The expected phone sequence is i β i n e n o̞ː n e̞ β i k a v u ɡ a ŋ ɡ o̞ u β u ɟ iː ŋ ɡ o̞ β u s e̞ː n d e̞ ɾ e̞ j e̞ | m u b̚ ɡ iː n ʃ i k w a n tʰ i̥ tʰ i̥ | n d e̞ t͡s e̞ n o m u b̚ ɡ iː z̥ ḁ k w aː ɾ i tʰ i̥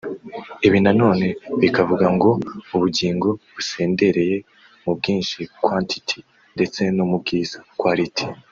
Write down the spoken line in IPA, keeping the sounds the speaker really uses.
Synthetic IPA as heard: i β i n a n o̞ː n e̞ β i k a v u ɡ a ŋ ɡ o̞ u β u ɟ iː ŋ ɡ o̞ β u s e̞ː n d e̞ ɾ e̞ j e̞ | m u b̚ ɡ iː n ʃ i k w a n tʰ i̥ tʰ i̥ | n d e̞ t͡s e̞ n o m u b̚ ɡ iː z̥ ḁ k w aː ɾ i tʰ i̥